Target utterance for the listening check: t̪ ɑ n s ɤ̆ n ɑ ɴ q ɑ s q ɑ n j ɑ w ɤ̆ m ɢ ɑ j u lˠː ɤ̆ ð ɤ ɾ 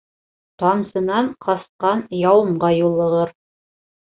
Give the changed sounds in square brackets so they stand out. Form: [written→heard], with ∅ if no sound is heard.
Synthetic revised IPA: t̪ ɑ n s ɤ̆ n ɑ ɴ q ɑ s q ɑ n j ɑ w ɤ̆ m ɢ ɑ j u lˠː ɤ̆ [ð→ʁ] ɤ ɾ